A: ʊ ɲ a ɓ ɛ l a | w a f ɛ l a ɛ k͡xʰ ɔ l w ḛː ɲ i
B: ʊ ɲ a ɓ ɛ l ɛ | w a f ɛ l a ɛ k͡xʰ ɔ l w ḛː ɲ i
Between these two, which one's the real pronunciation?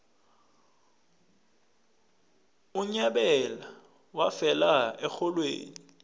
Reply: A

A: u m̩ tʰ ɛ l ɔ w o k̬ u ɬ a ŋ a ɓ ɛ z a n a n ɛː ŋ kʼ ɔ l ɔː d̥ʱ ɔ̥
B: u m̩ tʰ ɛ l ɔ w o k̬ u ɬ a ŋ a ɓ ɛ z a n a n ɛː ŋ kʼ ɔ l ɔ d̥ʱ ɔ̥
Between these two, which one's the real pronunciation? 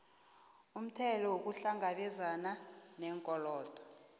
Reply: A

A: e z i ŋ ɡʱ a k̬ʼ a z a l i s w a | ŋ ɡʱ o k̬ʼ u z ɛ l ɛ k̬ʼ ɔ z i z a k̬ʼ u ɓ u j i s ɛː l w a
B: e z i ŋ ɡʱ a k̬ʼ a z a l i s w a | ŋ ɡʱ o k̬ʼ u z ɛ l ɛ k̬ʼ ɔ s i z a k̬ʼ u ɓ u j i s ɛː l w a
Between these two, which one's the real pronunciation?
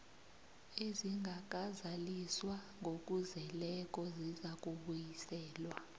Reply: A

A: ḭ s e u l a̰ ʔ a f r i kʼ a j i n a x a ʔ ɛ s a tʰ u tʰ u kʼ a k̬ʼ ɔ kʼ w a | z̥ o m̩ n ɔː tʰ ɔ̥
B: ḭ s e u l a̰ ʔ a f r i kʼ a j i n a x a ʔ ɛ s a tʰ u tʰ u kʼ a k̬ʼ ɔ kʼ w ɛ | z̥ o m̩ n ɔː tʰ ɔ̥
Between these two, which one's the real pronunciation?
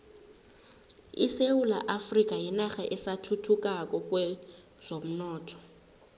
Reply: B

